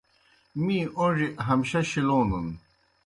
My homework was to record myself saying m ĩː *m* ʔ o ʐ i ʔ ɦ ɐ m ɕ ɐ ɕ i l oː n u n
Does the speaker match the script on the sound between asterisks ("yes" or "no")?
no